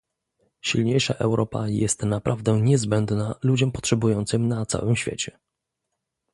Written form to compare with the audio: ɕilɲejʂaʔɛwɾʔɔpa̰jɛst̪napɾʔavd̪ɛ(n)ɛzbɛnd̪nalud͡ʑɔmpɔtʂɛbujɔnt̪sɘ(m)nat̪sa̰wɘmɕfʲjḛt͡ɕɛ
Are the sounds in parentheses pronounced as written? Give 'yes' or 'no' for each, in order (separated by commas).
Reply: no, yes